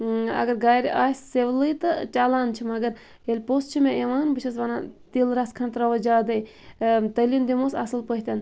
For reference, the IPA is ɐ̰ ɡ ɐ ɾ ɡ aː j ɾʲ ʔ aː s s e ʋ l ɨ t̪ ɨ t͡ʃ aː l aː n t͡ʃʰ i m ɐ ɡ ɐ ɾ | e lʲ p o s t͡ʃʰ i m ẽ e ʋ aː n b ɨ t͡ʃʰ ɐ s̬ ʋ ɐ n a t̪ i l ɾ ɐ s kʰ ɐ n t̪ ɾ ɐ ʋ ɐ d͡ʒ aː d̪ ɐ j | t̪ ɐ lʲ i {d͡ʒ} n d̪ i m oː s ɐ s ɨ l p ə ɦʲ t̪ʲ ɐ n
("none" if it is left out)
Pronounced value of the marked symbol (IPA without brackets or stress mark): none